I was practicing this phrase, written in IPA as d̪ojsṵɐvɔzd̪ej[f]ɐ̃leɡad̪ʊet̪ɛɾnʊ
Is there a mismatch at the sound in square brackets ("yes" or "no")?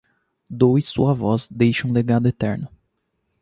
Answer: yes